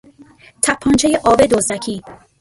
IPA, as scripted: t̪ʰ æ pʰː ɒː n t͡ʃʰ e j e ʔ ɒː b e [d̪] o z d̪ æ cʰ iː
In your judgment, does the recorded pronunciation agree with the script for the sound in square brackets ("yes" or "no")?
yes